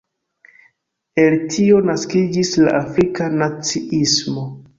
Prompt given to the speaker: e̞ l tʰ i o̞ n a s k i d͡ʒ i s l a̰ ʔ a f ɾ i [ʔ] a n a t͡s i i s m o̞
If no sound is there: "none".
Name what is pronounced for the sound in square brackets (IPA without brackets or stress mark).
k